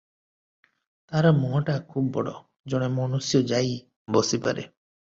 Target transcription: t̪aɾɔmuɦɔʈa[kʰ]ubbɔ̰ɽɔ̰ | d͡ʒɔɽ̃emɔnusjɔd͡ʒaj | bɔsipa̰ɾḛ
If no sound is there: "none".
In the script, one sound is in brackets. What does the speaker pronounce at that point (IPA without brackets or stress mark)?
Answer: kʰ